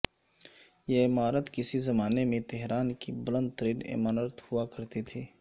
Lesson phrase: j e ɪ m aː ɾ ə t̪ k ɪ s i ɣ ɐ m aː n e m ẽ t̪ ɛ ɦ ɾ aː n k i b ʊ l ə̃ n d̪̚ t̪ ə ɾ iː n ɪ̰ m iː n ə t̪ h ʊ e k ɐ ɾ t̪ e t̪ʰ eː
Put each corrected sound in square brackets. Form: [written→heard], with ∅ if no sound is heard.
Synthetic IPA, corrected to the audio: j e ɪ m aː ɾ ə t̪ k ɪ s i [ɣ→z] ɐ m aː n e m ẽ t̪ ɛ ɦ ɾ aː n k i b ʊ l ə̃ n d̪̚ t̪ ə ɾ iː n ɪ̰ m [iː→aː] n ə t̪ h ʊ [e→a] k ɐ ɾ t̪ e t̪ʰ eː

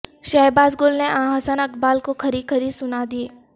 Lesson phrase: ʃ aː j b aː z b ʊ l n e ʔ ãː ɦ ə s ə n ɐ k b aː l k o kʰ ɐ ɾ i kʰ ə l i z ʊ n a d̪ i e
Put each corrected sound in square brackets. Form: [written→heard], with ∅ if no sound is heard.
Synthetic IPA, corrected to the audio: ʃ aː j b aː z [b→ɡ] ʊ l n e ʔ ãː ɦ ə s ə n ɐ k b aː l k o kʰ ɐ ɾ i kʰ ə [l→ɾ] i [z→s] ʊ n a d̪ i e

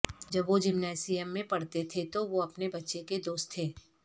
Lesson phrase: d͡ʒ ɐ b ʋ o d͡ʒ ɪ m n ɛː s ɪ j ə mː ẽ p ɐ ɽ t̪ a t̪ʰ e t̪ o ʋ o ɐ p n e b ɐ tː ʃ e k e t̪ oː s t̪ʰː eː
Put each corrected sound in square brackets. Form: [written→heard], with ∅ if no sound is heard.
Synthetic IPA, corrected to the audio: d͡ʒ ɐ b ʋ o d͡ʒ ɪ m n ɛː s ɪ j ə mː ẽ p ɐ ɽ t̪ [a→e] t̪ʰ e t̪ o ʋ o ɐ p n e b ɐ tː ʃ e k e [t̪→d̪] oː s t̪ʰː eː

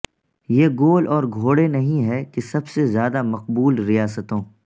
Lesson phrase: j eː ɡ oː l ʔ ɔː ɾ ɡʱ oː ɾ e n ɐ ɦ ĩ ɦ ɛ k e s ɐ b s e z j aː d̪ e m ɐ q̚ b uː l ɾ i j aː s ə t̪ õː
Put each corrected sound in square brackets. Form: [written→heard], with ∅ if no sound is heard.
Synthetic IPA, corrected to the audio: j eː ɡ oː l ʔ ɔː ɾ ɡʱ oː [ɾ→ɽ] e n ɐ ɦ ĩ ɦ ɛ k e s ɐ b s e z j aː d̪ [e→a] m ɐ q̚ b uː l ɾ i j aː s ə t̪ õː

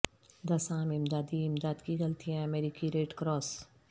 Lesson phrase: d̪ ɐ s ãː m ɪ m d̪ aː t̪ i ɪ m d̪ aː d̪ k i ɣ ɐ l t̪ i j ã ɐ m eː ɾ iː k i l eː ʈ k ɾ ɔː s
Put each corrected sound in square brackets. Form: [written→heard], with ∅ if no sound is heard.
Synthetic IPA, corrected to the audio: d̪ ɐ s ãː m ɪ m d̪ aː [t̪→d̪] i ɪ m d̪ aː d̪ k i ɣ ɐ l t̪ i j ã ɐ m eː ɾ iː k i [l→ɾ] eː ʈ k ɾ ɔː s

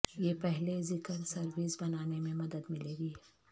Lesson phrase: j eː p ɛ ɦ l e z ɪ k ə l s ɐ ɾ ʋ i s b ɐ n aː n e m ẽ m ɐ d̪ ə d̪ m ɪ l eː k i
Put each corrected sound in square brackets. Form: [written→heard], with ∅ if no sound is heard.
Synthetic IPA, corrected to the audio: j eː p ɛ ɦ l e z ɪ k ə [l→ɾ] s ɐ ɾ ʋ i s b ɐ n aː n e m ẽ m ɐ d̪ ə d̪ m ɪ l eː [k→ɡ] i

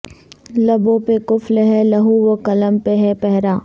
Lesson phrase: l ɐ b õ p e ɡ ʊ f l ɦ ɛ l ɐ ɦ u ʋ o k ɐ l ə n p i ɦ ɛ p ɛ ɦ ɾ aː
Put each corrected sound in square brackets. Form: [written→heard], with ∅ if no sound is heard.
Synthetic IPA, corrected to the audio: l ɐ b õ p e [ɡ→k] ʊ f l ɦ ɛ l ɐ ɦ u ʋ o k ɐ l ə [n→m] p [i→e] ɦ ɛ p ɛ ɦ ɾ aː

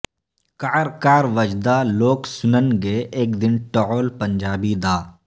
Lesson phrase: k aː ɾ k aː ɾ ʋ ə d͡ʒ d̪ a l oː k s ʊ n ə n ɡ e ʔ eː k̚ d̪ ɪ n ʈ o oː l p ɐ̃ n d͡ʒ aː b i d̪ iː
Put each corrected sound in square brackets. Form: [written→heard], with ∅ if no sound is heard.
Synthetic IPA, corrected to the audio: k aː ɾ k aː ɾ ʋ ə d͡ʒ d̪ a l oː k s ʊ n ə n ɡ e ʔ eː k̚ d̪ ɪ n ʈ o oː l p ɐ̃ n d͡ʒ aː b i d̪ [iː→aː]

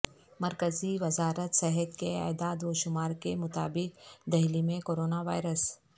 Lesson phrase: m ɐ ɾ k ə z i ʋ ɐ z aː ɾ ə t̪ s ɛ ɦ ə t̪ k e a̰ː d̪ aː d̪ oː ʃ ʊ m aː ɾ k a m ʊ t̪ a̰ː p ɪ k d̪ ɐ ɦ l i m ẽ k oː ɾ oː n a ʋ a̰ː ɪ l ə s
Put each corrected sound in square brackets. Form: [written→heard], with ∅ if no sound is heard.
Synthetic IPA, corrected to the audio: m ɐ ɾ k ə z i ʋ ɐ z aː ɾ ə t̪ s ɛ ɦ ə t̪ k e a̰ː d̪ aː d̪ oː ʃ ʊ m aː ɾ k [a→e] m ʊ t̪ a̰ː [p→b] ɪ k d̪ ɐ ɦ l i m ẽ k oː ɾ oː n a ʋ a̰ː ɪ [l→ɾ] ə s

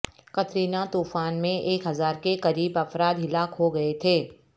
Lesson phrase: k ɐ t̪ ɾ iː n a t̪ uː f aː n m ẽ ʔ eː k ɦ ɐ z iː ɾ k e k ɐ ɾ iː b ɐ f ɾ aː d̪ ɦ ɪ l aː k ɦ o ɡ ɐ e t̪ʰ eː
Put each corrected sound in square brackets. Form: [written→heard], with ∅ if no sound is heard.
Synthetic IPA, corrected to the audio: k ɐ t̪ ɾ iː n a t̪ uː f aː n m ẽ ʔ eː k ɦ ɐ z [iː→aː] ɾ k e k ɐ ɾ iː b ɐ f ɾ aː d̪ ɦ ɪ l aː k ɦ o ɡ ɐ e t̪ʰ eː

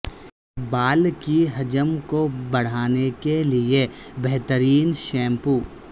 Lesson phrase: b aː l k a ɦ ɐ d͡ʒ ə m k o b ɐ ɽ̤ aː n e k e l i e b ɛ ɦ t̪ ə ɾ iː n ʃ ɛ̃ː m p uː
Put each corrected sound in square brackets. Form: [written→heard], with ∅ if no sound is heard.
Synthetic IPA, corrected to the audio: b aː l k [a→i] ɦ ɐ d͡ʒ ə m k o b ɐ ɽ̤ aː n e k e l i e b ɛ ɦ t̪ ə ɾ iː n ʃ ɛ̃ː m p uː

